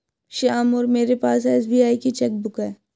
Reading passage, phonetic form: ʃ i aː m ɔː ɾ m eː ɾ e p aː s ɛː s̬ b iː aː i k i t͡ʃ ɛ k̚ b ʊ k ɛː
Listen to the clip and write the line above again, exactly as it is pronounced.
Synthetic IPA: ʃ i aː m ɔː ɾ m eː ɾ e p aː s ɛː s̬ b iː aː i k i t͡ʃ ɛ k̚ b ʊ k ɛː